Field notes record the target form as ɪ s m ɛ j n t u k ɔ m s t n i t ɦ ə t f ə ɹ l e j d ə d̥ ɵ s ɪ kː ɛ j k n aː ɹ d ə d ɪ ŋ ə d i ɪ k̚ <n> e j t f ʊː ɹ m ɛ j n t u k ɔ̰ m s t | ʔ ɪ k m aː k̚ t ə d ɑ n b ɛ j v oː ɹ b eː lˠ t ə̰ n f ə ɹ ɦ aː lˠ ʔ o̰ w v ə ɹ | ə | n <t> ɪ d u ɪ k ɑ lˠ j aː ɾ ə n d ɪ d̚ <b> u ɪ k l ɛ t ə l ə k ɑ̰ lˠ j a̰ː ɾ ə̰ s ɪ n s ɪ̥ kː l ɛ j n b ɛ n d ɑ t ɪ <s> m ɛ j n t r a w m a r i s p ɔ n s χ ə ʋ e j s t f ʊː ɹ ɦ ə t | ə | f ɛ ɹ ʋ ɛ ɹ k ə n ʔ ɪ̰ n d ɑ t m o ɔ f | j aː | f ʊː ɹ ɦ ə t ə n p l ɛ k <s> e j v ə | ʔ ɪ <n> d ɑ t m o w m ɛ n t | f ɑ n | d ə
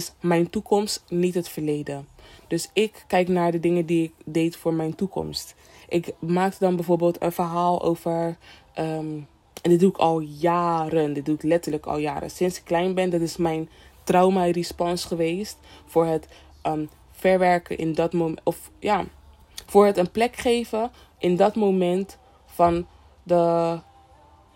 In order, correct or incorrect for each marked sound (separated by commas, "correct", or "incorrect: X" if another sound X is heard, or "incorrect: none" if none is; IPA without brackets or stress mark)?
incorrect: d, incorrect: d, incorrect: d, correct, incorrect: χ, correct